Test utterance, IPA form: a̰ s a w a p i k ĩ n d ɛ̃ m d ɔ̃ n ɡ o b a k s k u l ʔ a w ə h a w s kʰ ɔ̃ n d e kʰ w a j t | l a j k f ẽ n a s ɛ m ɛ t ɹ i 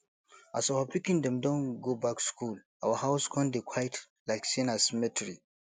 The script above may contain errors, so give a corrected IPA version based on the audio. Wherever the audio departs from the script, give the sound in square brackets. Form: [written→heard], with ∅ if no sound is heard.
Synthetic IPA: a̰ s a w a p i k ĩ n d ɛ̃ m d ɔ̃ n ɡ o b a k s k u l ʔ a w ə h a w s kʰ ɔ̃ n d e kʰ w a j t | l a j k [f→s] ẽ n a s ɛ m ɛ t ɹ i